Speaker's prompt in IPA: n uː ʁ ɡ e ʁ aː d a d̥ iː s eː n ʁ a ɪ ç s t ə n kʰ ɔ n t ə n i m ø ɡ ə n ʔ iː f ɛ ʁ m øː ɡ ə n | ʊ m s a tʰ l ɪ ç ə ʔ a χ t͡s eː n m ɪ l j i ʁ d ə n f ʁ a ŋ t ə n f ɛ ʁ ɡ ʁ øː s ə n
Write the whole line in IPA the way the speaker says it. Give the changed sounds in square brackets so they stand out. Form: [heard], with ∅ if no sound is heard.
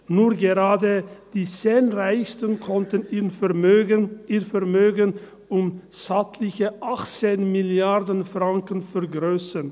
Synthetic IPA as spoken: n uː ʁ ɡ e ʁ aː d [ə] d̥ iː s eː n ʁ a ɪ ç s t ə n kʰ ɔ n t ə n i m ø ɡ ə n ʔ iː f ɛ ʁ m øː ɡ ə n | ʊ m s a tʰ l ɪ ç ə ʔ a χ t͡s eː n m ɪ l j [a] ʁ d ə n f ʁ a ŋ [k] ə n f ɛ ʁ ɡ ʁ øː s ə n